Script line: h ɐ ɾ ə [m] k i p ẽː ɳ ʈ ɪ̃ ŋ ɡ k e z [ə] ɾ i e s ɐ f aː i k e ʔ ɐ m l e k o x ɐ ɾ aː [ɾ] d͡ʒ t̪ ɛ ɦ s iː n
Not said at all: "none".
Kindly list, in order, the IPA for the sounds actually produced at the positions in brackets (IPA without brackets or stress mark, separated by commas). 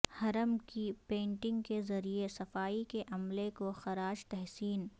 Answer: m, ɐ, none